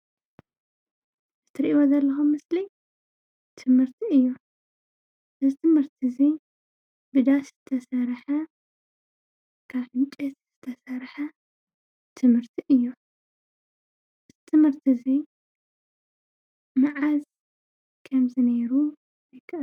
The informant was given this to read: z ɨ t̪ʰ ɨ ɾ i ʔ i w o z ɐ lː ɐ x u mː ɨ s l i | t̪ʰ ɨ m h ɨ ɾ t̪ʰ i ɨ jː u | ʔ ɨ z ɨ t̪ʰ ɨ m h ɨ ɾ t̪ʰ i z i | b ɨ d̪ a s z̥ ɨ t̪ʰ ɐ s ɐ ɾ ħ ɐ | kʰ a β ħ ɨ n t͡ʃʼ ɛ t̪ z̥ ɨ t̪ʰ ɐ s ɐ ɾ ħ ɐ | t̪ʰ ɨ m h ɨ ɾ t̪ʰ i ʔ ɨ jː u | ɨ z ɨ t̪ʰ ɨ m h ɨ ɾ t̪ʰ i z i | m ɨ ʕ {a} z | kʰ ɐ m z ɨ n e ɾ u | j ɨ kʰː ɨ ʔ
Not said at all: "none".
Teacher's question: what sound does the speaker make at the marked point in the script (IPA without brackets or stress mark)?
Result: a